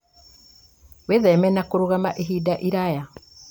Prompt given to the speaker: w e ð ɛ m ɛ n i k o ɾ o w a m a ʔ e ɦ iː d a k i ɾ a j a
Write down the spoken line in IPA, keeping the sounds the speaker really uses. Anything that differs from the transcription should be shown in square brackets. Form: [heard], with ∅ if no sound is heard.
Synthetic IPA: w e ð ɛ m ɛ n [a] k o ɾ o [ɣ] a m a ʔ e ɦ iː d a [ʔ] i ɾ a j a